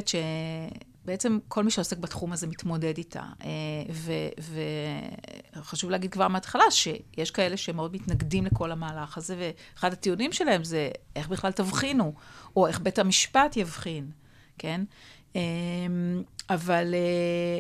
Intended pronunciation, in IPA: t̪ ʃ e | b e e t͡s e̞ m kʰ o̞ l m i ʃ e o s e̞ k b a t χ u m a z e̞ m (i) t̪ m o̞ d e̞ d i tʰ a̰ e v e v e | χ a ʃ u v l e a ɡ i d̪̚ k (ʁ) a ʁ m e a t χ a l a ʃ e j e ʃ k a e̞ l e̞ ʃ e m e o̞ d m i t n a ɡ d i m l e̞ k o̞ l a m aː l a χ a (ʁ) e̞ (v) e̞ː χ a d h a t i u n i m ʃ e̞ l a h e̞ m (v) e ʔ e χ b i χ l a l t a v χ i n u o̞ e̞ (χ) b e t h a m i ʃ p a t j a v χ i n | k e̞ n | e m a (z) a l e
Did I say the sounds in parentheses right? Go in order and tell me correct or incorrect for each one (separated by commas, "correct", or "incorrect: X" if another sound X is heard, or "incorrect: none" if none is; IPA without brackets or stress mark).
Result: correct, incorrect: v, incorrect: z, correct, incorrect: z, correct, incorrect: v